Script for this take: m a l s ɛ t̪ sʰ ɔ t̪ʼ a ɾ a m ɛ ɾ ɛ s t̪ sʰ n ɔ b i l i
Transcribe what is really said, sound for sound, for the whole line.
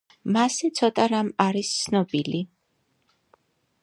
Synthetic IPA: m a s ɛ t̪ sʰ ɔ t̪ʼ a ɾ a m a ɾ i s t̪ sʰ n ɔ b i l i